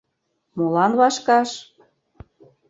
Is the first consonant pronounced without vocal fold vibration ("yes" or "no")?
no